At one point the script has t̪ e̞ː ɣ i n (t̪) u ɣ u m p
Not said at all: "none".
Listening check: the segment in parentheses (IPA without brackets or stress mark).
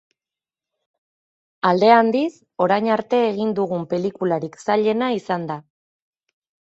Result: d̪